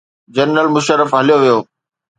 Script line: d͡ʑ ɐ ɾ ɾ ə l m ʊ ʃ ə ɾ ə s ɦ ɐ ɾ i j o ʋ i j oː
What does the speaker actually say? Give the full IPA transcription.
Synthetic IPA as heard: d͡ʑ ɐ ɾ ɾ ə l m ʊ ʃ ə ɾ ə f ɦ ɐ l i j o ʋ i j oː